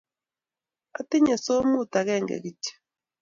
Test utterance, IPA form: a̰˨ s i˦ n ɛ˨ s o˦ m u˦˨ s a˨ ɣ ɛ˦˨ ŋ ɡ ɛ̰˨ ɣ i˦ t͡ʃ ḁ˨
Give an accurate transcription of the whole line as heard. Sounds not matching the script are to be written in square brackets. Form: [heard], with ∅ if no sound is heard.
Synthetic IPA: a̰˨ [t] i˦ [ɲ] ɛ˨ s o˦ m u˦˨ [t] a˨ ɣ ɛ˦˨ ŋ ɡ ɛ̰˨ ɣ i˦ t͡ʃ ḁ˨